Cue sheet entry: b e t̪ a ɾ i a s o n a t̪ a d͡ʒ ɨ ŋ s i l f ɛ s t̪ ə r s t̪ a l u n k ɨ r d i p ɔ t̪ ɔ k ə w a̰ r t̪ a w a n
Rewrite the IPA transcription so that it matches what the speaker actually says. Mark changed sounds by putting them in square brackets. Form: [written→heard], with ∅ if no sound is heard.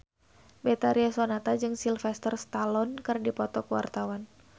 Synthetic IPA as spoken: b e t̪ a ɾ i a s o n a t̪ a d͡ʒ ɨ ŋ s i l f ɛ s t̪ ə r s t̪ a l [u→ɔ] n k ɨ r d i p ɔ t̪ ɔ k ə w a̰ r t̪ a w a n